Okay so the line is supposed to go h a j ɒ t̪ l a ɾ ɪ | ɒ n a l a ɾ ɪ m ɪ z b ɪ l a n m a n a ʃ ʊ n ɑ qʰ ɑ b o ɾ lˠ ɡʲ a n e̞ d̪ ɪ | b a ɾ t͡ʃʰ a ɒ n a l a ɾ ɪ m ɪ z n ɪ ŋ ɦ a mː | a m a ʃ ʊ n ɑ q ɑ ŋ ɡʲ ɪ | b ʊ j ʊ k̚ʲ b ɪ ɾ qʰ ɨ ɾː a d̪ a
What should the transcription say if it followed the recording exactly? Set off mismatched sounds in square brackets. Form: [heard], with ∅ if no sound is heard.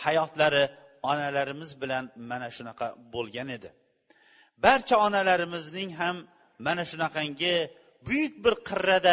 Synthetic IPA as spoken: h a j ɒ t̪ l a ɾ ɪ | ɒ n a l a ɾ ɪ m ɪ z b ɪ l a n m a n a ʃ ʊ n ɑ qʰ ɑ b o [∅] lˠ ɡʲ a n e̞ d̪ ɪ | b a ɾ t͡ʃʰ a ɒ n a l a ɾ ɪ m ɪ z n ɪ ŋ ɦ a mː | a [n] a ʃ ʊ n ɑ q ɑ ŋ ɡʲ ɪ | b ʊ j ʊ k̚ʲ b ɪ ɾ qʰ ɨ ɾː a d̪ a